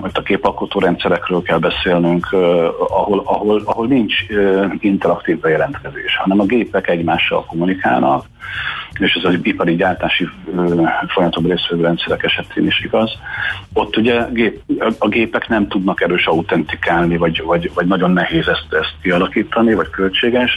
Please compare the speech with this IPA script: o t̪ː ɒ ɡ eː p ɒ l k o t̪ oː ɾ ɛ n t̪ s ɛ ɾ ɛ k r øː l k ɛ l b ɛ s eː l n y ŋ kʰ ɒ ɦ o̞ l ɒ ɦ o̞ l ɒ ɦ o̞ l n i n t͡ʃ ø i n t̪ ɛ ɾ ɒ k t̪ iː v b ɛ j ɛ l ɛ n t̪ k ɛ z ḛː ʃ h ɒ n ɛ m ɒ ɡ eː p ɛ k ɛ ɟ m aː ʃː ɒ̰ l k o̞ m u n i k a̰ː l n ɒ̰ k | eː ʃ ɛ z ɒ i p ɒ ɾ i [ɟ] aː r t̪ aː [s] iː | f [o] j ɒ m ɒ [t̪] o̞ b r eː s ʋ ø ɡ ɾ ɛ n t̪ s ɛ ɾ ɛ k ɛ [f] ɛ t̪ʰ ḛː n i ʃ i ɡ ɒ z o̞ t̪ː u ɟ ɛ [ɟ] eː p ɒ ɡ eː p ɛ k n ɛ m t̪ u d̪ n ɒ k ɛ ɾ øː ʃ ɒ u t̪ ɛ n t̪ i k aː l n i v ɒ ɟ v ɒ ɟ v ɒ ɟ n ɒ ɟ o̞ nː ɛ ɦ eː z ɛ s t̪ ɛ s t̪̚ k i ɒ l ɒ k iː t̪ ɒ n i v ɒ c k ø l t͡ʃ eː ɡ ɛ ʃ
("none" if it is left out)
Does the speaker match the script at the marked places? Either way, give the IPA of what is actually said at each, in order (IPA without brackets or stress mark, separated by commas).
ɟ, ʃ, o, t̪, ʃ, ɡ